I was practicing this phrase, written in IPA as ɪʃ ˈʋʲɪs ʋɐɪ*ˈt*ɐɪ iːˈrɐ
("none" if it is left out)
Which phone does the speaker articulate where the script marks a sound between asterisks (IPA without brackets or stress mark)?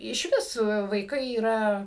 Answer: k